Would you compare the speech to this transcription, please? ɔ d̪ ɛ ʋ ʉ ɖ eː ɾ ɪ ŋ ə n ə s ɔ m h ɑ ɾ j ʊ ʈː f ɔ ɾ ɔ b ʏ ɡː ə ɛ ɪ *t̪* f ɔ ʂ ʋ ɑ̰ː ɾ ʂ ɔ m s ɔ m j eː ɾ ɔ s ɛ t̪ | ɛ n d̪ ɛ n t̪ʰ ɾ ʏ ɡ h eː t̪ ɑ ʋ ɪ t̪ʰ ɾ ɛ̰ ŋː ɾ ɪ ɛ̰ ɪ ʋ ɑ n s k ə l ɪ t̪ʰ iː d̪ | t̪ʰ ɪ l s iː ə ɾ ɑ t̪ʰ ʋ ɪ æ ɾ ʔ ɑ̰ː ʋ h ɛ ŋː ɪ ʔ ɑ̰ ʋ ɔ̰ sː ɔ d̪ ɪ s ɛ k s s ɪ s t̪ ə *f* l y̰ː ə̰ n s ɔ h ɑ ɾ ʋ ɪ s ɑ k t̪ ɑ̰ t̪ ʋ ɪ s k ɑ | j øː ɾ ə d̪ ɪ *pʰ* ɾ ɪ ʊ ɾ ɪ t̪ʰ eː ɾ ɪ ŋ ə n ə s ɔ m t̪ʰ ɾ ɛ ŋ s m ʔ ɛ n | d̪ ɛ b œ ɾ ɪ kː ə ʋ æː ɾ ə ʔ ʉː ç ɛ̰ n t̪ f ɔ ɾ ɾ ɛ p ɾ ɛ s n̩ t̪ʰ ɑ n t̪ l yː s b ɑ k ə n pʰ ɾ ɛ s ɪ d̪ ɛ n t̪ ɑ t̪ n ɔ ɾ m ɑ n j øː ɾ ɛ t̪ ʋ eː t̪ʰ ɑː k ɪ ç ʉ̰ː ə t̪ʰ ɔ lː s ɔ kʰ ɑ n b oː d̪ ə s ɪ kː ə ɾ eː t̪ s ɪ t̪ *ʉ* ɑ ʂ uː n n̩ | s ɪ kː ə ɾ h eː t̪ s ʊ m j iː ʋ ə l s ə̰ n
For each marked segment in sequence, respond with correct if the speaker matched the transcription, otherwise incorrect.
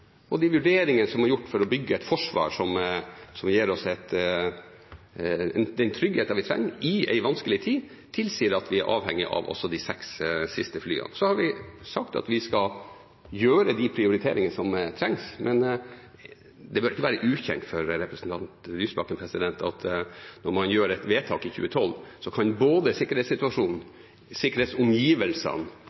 correct, correct, correct, correct

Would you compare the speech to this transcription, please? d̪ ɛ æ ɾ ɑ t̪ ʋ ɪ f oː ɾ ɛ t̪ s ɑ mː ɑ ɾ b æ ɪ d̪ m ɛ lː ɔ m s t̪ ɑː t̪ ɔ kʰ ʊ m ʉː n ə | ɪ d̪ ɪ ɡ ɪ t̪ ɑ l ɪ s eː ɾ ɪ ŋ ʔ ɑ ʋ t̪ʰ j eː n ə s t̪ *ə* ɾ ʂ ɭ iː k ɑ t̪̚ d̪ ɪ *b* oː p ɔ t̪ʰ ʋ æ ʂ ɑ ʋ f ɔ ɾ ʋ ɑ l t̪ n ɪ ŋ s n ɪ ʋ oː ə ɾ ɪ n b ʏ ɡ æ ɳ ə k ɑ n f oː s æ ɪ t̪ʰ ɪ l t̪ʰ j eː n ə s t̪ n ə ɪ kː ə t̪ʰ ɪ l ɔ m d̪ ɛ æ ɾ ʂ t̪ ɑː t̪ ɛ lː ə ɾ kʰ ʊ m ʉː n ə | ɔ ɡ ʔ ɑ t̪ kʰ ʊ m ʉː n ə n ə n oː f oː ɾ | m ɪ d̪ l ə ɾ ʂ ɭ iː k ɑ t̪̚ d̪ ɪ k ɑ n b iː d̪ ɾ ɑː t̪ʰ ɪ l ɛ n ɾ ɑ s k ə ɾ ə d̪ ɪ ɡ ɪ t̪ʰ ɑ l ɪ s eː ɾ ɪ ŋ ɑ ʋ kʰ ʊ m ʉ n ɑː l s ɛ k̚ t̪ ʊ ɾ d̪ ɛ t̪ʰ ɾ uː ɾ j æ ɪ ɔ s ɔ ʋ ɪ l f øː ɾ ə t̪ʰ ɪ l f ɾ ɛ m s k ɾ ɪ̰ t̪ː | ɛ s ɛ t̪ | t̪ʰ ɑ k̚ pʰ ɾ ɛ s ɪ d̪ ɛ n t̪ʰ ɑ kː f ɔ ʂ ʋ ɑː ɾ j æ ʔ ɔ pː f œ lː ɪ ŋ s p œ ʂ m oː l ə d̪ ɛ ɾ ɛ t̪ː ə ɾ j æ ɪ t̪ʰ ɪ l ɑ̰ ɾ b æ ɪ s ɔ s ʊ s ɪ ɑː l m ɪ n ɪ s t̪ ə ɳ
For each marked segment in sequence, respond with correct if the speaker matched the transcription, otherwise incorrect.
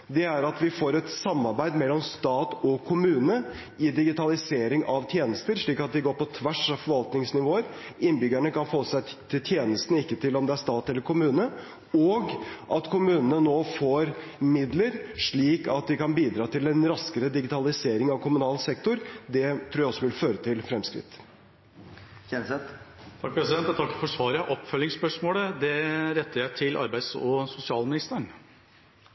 correct, incorrect

